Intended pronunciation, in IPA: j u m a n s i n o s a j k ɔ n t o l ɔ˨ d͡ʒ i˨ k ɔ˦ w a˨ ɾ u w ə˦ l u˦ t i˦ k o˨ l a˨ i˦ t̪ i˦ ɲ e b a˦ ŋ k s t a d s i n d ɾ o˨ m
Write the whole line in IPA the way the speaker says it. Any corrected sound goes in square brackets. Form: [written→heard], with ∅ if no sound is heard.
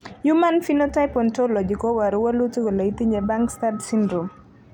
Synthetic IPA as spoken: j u m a n [s→f] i n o [s→t] a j [k→p] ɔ n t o l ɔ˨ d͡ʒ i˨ k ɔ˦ w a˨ ɾ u w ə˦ l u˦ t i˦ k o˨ l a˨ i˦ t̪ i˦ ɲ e b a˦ ŋ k s t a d s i n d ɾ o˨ m